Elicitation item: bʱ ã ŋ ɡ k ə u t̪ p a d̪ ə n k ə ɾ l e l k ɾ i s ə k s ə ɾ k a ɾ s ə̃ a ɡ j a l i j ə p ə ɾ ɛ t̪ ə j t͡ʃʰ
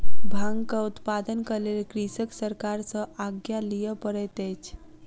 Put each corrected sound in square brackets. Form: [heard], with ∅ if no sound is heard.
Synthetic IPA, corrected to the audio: bʱ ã ŋ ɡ k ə u t̪ p a d̪ ə n k ə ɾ l e l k ɾ i s ə k s ə ɾ k a ɾ s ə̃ a ɡ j a l i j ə p ə ɾ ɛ t̪ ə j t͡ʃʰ